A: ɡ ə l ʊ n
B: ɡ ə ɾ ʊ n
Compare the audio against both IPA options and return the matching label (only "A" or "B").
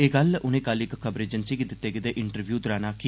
A